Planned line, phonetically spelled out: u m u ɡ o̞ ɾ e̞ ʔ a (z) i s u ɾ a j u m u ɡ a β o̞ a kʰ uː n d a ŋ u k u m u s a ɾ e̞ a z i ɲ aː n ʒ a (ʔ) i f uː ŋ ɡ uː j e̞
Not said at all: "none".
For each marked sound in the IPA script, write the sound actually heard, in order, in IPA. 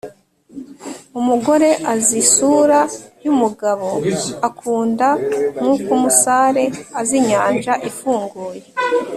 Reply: z, ʔ

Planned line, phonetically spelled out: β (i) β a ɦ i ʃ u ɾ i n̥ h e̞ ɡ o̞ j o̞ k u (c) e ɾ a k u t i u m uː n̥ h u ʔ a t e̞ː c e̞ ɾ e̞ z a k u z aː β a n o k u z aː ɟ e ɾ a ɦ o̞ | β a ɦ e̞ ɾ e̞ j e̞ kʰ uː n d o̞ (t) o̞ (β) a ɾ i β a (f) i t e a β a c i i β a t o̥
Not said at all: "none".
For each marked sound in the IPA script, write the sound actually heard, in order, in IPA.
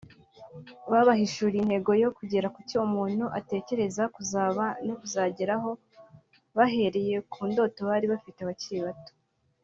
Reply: a, ɟ, t, β, f

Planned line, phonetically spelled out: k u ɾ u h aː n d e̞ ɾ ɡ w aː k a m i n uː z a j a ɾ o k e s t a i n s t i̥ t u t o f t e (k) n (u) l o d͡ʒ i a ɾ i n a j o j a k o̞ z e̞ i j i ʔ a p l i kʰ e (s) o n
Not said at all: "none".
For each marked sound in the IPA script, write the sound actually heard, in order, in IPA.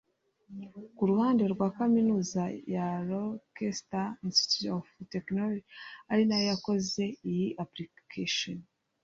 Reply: k, o, ʃ

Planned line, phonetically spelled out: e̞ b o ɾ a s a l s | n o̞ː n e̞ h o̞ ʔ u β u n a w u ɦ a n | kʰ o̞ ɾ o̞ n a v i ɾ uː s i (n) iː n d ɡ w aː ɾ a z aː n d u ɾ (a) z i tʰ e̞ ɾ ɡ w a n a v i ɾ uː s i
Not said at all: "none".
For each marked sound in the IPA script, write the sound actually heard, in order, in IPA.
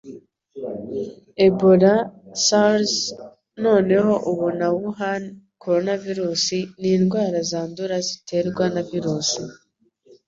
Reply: n, a

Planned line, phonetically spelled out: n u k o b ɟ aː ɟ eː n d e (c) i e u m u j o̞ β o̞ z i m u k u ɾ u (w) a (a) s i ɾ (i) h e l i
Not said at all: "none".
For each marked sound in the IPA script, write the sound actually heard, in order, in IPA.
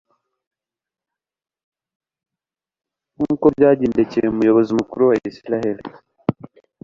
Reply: c, w, i, a

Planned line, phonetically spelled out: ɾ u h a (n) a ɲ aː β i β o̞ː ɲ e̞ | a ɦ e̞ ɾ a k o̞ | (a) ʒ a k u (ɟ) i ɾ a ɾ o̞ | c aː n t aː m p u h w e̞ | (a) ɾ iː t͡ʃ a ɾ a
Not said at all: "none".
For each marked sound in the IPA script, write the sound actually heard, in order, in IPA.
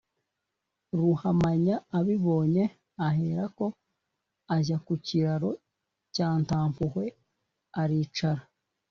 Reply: m, a, c, a

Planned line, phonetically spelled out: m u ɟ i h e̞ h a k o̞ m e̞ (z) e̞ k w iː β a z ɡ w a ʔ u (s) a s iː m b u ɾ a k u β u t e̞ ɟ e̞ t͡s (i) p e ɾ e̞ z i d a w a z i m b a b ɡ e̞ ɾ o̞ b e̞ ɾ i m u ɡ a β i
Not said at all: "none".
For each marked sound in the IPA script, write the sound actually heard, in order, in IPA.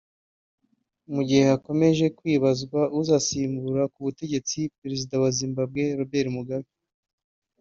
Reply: ʒ, z, i

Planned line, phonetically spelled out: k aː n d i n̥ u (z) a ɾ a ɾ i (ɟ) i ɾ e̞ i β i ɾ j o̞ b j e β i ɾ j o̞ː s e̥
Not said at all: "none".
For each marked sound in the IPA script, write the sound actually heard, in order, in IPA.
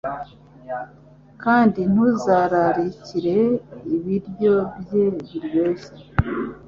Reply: z, c

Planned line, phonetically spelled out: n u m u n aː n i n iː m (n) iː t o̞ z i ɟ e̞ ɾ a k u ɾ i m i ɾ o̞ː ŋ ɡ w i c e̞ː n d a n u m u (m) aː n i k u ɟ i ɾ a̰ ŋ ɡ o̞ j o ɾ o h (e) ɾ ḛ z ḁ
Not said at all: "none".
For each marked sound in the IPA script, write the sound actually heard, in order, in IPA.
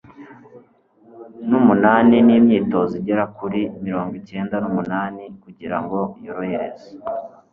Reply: ɲ, n, e

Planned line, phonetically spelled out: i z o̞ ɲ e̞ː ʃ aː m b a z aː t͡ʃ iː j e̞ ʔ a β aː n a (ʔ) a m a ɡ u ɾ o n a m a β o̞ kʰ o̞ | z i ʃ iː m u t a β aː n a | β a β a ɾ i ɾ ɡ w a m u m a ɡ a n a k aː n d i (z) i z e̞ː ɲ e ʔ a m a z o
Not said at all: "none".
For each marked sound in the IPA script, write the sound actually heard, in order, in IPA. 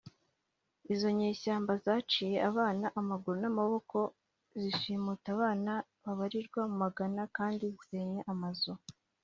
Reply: ʔ, z

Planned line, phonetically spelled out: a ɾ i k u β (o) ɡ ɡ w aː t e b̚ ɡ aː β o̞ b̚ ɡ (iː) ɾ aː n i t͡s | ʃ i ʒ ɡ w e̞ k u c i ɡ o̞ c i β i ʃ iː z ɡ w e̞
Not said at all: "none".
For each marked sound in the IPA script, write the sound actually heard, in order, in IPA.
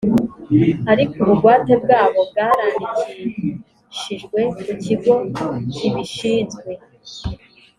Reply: u, aː

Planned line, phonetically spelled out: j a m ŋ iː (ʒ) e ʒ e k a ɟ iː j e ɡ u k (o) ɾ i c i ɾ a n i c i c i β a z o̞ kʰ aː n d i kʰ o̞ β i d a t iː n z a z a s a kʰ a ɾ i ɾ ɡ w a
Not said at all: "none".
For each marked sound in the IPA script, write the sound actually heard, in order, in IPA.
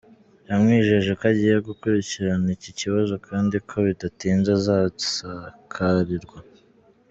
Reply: ʒ, u

